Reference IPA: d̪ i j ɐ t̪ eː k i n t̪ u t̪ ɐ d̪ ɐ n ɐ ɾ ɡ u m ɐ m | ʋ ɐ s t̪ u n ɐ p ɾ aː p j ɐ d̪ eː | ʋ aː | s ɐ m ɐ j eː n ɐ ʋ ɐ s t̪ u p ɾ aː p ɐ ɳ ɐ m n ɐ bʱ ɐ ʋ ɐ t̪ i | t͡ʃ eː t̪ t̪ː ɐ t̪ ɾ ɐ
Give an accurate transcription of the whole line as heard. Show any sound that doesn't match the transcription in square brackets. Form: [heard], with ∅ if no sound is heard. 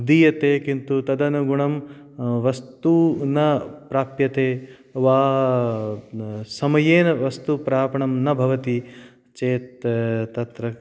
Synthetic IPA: d̪ i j ɐ t̪ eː k i n t̪ u t̪ ɐ d̪ ɐ n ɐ [∅] ɡ u [ɳ] ɐ m | ʋ ɐ s t̪ u n ɐ p ɾ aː p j ɐ [t̪] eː | ʋ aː | s ɐ m ɐ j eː n ɐ ʋ ɐ s t̪ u p ɾ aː p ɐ ɳ ɐ m n ɐ bʱ ɐ ʋ ɐ t̪ i | t͡ʃ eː t̪ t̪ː ɐ t̪ ɾ ɐ